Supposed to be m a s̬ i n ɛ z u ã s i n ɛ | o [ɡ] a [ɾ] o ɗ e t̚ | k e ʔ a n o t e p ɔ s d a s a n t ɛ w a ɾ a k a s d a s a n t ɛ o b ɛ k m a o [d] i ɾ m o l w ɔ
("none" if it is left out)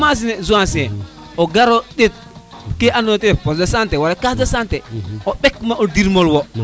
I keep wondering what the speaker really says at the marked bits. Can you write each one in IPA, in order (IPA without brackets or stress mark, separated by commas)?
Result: ɡ, ɾ, d